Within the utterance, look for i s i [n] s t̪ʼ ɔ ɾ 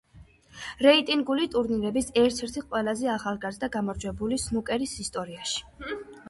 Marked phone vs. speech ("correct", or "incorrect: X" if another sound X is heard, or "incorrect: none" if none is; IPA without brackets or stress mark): incorrect: none